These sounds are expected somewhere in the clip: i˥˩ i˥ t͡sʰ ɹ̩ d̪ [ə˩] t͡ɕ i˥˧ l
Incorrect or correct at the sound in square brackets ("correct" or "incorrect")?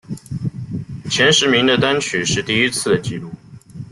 correct